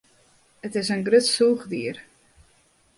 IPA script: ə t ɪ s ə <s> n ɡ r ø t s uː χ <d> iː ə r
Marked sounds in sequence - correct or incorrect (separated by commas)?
incorrect, correct